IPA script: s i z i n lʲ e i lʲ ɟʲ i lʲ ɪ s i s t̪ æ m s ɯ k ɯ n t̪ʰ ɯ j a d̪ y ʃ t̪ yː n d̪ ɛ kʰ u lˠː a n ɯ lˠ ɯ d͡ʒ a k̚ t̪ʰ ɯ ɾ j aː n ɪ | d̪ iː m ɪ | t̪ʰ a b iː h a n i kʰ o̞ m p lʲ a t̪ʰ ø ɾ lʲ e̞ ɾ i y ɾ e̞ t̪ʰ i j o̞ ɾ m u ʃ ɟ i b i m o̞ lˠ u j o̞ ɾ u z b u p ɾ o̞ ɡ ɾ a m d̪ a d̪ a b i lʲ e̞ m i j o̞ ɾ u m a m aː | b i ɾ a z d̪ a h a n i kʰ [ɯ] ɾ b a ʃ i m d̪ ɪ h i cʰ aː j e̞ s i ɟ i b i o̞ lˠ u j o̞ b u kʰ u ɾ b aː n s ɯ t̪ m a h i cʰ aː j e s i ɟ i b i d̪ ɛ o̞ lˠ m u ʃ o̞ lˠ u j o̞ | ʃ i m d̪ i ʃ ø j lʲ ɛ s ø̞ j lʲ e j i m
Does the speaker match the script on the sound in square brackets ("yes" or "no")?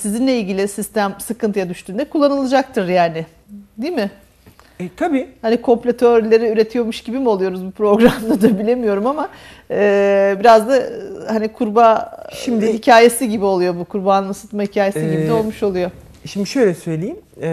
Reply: no